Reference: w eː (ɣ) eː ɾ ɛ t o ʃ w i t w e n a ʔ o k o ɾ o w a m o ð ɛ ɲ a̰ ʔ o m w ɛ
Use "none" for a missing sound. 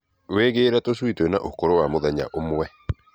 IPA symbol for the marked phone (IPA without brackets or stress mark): ɣ